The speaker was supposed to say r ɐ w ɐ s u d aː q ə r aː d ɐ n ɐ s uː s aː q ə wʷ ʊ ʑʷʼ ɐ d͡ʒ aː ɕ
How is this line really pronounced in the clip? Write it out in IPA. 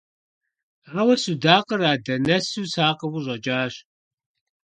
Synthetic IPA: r ɐ w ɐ s u d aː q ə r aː d ɐ n ɐ s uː s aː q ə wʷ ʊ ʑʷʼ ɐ d͡ʒ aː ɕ

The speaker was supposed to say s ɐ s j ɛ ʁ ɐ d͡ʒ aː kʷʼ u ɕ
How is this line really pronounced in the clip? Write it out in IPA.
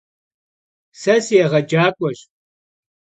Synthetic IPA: s ɐ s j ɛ ʁ ɐ d͡ʒ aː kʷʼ ɔ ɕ

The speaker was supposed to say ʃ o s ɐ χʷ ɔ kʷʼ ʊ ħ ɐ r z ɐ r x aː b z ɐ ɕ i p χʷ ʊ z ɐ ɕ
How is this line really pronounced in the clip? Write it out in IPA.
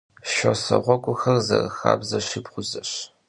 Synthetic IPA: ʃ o s ɐ ʁʷ ɔ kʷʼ ʊ x ɐ r z ɐ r x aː b z ɐ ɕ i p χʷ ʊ z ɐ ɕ

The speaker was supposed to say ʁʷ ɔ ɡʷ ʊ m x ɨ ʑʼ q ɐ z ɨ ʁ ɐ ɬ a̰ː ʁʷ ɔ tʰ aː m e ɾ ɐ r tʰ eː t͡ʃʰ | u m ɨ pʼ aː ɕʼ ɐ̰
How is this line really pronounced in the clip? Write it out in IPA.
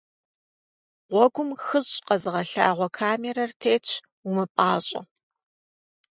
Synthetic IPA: ʁʷ ɔ ɡʷ ʊ m x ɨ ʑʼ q ɐ z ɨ ʁ ɐ ɬ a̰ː ʁʷ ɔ kʰ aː m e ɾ ɐ r tʰ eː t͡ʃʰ | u m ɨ pʼ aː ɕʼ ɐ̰

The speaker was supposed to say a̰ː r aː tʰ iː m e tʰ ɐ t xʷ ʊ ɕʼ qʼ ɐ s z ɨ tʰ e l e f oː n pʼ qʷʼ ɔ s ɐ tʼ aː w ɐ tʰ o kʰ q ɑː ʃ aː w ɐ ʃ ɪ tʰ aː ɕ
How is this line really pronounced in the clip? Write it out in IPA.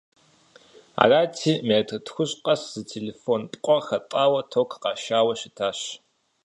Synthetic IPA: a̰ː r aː tʰ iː m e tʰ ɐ t xʷ ʊ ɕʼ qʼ ɐ s z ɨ tʰ e l e f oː n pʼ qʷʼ ɔ x ɐ tʼ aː w ɐ tʰ o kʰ q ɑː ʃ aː w ɐ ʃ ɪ tʰ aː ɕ

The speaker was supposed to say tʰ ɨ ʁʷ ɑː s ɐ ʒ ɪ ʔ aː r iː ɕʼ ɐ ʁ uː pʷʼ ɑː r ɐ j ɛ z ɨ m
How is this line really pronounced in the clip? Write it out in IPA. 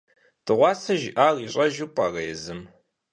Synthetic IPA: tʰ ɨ ʁʷ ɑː s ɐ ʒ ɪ ʔ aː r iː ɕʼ ɐ ʒ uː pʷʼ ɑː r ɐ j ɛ z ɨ m

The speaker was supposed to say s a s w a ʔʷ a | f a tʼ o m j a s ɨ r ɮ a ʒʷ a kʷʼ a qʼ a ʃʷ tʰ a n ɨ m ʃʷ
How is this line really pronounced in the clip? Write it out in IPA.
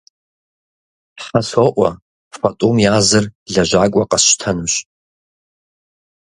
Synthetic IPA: ħ a s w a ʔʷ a | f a tʼ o m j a z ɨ r ɮ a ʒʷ a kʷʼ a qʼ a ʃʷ tʰ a n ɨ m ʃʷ

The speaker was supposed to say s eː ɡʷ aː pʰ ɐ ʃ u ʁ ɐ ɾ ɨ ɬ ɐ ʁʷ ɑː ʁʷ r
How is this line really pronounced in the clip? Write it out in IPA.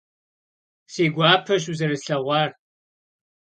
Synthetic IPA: s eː ɡʷ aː pʰ ɐ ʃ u z ɐ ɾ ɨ ɬ ɐ ʁʷ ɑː r

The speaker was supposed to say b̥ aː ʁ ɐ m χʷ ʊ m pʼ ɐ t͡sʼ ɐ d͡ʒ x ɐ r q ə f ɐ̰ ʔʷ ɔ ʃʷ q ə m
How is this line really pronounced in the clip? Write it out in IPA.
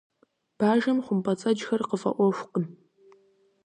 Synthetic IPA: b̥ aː ʒ ɐ m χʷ ʊ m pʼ ɐ t͡sʼ ɐ d͡ʒ x ɐ r q ə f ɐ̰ ʔʷ ɔ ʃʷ q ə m

